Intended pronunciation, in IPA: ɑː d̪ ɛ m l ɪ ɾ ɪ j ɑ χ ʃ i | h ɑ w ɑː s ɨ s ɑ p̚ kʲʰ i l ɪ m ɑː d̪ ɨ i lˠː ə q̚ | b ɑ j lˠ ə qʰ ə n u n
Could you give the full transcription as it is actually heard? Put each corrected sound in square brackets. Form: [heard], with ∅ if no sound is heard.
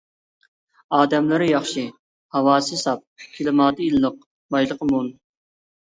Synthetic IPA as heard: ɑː d̪ ɛ m l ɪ ɾ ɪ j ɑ χ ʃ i | h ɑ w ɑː s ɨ s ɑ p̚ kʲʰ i l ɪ m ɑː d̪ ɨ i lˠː ə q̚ | b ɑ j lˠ ə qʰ ə [m] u n